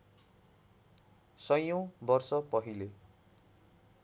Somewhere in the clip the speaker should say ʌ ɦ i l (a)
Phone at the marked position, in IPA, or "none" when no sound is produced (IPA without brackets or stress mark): e